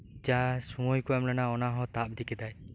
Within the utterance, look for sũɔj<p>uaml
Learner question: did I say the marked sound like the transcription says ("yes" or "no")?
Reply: no